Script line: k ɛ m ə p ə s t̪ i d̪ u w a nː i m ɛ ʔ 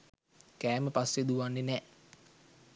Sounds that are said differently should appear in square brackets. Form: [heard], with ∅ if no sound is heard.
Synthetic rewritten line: k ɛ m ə p [a] s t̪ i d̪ u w a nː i [n] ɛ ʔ